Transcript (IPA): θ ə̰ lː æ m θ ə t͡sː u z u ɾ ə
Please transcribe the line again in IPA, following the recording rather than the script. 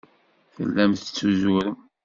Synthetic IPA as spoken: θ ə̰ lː æ m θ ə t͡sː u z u ɾ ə